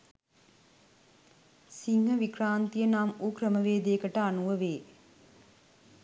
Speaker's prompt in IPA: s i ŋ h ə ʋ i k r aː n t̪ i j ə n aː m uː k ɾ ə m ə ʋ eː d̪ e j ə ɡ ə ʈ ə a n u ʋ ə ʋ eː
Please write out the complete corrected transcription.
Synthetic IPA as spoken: s i ŋ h ə ʋ i k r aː n t̪ i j ə n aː m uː k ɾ ə m ə ʋ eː d̪ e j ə k ə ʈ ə a n u ʋ ə ʋ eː